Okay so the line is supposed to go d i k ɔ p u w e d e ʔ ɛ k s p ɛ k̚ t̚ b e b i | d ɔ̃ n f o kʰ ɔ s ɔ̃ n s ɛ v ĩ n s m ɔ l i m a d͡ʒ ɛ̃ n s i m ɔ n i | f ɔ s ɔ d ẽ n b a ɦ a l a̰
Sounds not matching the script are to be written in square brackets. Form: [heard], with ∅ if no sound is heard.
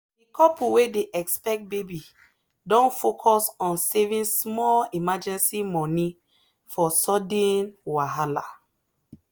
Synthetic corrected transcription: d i k ɔ p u w e d e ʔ ɛ k s p ɛ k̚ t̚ b e b i | d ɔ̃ n f o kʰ ɔ s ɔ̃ n s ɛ v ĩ n s m ɔ l i m a d͡ʒ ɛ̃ n s i m ɔ n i | f ɔ s ɔ d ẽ n [w] a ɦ a l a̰